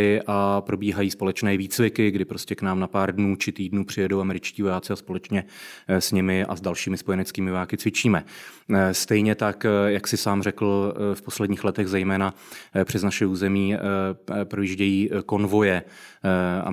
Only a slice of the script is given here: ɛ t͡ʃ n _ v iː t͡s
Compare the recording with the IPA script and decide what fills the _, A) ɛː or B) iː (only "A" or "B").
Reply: A